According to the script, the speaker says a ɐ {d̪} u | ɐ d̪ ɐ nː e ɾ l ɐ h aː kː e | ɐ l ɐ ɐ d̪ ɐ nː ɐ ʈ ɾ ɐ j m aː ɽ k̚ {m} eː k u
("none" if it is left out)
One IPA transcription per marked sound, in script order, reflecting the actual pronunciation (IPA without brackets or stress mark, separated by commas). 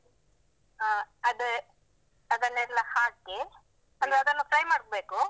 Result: d̪, b